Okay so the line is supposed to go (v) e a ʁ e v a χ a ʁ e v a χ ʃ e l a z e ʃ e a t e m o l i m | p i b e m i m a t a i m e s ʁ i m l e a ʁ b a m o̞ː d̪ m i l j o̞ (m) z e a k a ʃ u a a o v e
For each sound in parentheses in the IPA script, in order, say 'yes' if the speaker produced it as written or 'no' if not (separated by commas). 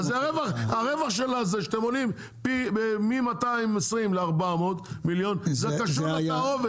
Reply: no, no